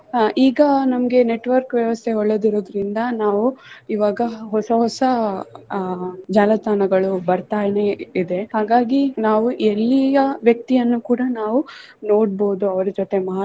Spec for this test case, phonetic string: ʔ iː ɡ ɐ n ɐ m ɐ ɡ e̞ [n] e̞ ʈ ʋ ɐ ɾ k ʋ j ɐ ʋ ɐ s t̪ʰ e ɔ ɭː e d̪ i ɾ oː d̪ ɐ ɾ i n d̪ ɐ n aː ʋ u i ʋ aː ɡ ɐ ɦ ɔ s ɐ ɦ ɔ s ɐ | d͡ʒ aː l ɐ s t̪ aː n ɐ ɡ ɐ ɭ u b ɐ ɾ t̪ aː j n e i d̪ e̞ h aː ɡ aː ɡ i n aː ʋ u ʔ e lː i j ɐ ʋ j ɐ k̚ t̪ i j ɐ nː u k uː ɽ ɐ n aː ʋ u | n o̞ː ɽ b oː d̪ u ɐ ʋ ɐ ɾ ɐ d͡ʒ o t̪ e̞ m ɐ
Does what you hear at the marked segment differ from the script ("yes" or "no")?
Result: no